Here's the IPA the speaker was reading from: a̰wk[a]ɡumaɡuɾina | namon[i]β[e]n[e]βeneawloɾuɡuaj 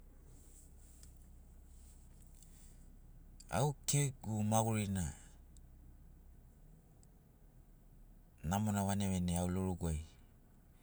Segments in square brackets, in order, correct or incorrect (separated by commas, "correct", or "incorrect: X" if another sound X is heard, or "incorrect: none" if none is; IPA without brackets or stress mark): incorrect: e, incorrect: a, incorrect: a, correct